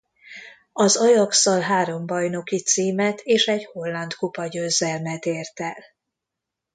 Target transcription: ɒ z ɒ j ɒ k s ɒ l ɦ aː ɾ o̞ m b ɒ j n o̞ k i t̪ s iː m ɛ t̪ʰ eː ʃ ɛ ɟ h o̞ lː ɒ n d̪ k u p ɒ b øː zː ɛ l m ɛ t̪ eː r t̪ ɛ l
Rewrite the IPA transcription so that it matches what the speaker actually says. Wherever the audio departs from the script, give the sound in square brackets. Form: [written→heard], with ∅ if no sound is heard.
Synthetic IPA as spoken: ɒ z ɒ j ɒ k s ɒ l ɦ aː ɾ o̞ m b ɒ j n o̞ k i t̪ s iː m ɛ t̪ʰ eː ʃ ɛ ɟ h o̞ lː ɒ n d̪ k u p ɒ [b→ɟ] øː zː ɛ l m ɛ t̪ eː r t̪ ɛ l

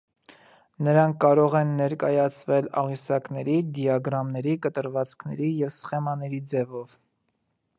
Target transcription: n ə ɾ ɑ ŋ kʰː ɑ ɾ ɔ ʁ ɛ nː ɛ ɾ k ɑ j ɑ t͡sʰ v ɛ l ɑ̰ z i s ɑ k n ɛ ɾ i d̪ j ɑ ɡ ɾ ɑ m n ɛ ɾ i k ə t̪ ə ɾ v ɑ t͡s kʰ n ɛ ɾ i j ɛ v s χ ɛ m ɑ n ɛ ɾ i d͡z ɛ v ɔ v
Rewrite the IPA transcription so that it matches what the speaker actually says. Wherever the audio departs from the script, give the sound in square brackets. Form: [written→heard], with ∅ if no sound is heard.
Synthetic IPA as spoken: n ə ɾ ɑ ŋ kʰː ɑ ɾ ɔ ʁ ɛ nː ɛ ɾ k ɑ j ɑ t͡sʰ v ɛ l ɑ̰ [z→ʁ] i s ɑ k n ɛ ɾ i d̪ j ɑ ɡ ɾ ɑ m n ɛ ɾ i k ə t̪ ə ɾ v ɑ t͡s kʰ n ɛ ɾ i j ɛ v s χ ɛ m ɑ n ɛ ɾ i d͡z ɛ v ɔ v

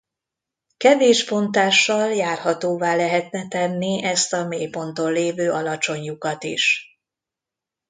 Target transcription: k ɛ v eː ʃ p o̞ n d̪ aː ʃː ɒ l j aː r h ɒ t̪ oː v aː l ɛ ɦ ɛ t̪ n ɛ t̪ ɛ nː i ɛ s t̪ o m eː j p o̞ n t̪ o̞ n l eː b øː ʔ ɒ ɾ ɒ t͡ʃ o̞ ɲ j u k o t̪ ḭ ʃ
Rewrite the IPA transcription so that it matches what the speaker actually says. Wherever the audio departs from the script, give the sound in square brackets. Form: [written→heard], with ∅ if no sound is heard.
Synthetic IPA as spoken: k ɛ v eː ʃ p o̞ n [d̪→t̪] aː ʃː ɒ l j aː r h ɒ t̪ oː v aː l ɛ ɦ ɛ t̪ n ɛ t̪ ɛ nː i ɛ s t̪ [o→ɒ] m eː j p o̞ n t̪ o̞ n l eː [b→v] øː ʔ ɒ [ɾ→l] ɒ t͡ʃ o̞ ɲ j u k [o→ɒ] t̪ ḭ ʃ

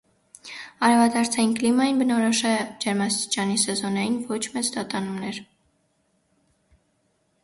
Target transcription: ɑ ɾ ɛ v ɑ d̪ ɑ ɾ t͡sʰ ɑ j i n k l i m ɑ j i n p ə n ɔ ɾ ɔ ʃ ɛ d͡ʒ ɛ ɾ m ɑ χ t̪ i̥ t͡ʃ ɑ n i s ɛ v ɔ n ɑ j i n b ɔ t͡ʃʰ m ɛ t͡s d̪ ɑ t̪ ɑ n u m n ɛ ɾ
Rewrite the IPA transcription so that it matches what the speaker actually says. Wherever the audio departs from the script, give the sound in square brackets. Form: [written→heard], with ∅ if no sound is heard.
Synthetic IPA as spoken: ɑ ɾ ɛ v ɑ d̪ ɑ ɾ t͡sʰ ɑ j i n k l i m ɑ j i n [p→b] ə n ɔ ɾ ɔ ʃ ɛ d͡ʒ ɛ ɾ m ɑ [χ→s] t̪ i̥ t͡ʃ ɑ n i s ɛ [v→z] ɔ n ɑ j i n [b→v] ɔ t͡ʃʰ m ɛ t͡s d̪ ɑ t̪ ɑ n u m n ɛ ɾ

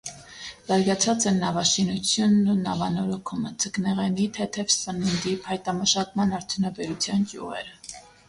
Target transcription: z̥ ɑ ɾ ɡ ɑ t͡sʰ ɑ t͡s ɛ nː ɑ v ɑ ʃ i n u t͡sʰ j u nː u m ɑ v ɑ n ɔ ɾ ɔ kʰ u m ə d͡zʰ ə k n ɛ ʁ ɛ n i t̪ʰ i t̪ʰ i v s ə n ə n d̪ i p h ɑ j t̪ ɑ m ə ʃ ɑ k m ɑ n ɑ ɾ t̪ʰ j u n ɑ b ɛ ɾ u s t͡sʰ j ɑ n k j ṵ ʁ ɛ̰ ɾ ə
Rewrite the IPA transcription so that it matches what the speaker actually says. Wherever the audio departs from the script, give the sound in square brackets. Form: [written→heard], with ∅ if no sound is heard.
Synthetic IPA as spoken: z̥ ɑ ɾ ɡ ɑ t͡sʰ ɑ t͡s ɛ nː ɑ v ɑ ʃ i n u t͡sʰ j u nː u [m→n] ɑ v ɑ n ɔ ɾ ɔ kʰ u m ə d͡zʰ ə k n ɛ ʁ ɛ n i t̪ʰ [i→ɛ] t̪ʰ [i→ɛ] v s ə n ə n d̪ i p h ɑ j t̪ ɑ m ə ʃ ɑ k m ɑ n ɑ ɾ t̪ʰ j u n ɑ b ɛ ɾ u [s→∅] t͡sʰ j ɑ n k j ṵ ʁ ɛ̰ ɾ ə

